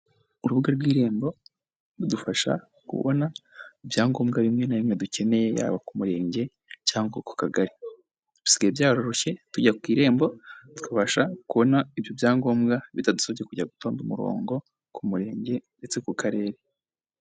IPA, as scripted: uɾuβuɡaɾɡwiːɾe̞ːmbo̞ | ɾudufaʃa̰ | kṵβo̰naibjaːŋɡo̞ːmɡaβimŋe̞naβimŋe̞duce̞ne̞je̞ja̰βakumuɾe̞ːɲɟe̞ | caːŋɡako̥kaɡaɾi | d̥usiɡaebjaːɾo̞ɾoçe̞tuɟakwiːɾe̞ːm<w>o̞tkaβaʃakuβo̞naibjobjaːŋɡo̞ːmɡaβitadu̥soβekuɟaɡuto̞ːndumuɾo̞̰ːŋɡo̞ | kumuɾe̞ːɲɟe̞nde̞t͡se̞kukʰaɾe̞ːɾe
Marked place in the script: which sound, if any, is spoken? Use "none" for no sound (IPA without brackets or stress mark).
b